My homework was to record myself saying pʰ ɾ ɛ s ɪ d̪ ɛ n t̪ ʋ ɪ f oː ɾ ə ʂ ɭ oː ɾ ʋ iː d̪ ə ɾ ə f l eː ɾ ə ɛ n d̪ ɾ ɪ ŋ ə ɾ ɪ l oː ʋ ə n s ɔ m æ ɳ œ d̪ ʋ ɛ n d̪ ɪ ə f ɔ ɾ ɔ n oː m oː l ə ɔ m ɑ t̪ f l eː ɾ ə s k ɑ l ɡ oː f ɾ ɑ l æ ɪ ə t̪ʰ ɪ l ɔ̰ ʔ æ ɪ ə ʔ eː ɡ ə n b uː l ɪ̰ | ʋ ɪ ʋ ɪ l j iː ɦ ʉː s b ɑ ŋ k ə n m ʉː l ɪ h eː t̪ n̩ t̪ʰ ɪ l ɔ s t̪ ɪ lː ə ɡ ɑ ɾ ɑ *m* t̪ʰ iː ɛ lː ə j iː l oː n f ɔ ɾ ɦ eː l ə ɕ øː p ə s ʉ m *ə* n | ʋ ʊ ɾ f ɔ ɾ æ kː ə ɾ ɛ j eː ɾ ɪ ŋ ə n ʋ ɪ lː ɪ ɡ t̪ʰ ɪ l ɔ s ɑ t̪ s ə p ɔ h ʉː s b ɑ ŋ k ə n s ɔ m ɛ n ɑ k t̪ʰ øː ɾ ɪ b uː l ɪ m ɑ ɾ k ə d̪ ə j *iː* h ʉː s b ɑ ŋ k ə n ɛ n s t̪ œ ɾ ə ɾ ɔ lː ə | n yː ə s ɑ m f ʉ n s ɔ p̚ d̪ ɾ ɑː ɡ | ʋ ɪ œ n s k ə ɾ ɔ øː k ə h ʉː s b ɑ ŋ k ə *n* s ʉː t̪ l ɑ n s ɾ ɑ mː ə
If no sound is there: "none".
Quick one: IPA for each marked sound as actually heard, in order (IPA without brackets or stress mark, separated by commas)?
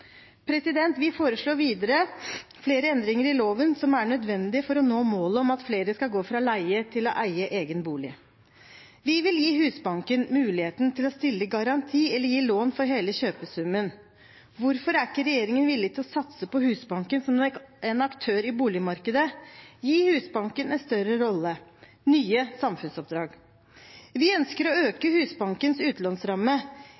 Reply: n, ə, iː, n